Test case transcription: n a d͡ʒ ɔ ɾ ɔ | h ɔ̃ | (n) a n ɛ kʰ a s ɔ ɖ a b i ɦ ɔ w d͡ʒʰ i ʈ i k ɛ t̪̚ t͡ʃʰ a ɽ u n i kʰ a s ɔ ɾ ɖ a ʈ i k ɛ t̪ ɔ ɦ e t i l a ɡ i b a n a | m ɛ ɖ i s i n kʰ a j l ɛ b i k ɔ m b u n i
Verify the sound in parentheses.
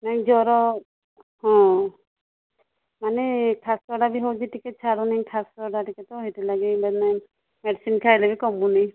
incorrect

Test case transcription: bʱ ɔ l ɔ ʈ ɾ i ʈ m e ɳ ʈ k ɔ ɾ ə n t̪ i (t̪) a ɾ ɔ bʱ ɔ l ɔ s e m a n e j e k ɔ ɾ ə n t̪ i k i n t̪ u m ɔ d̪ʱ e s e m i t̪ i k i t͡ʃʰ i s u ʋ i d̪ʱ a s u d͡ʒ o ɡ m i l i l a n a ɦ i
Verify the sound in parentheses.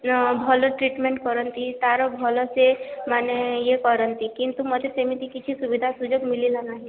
correct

